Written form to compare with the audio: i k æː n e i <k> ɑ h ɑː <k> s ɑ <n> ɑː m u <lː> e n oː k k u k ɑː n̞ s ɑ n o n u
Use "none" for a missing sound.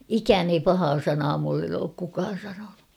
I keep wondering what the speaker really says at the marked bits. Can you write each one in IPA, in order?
p, none, n, lː

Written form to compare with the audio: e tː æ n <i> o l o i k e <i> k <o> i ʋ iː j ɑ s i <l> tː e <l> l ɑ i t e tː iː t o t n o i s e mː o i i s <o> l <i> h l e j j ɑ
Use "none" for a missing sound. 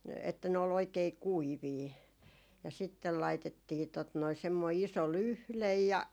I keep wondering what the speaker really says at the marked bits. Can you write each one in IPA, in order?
e, i, u, none, l, o, y

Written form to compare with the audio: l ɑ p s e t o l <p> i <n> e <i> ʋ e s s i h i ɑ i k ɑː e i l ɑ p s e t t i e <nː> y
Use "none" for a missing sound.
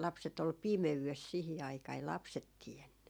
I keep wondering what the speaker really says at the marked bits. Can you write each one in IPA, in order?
p, m, y, nː

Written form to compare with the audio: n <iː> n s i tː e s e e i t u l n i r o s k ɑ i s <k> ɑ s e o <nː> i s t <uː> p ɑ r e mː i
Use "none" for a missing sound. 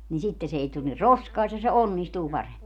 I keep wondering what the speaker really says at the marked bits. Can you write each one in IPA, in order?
i, t, nː, uː

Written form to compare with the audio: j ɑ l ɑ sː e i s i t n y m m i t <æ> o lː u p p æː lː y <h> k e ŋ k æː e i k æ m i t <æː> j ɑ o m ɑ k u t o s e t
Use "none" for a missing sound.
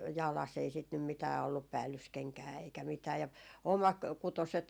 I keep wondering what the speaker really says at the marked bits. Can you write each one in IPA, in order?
æː, s, æː

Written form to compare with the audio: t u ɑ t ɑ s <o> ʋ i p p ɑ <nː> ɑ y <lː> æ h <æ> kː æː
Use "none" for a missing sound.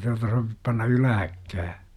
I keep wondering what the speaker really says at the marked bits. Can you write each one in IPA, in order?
o, nː, l, æ

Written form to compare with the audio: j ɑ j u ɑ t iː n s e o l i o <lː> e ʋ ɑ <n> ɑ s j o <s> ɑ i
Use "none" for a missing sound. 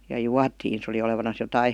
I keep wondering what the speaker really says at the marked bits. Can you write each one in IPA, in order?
l, n, t

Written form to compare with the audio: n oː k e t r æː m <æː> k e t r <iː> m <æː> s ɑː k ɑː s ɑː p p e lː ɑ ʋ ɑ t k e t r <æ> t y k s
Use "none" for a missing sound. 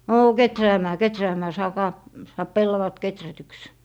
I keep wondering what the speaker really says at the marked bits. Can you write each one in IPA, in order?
æː, æː, æː, æ

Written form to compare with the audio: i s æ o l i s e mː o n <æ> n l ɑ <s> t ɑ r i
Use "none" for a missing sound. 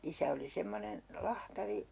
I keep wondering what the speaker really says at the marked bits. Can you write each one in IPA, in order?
e, h

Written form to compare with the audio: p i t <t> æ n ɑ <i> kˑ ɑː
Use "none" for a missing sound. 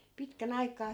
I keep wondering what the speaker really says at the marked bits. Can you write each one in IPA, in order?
k, i

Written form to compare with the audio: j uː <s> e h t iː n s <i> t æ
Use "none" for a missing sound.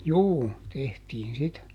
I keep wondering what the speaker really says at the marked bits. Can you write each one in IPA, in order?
t, i

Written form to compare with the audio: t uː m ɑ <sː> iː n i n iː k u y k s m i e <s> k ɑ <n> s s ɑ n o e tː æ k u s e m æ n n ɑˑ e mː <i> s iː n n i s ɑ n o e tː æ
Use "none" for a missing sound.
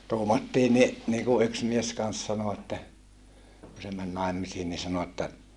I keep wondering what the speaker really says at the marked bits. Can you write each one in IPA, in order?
tː, s, n, i

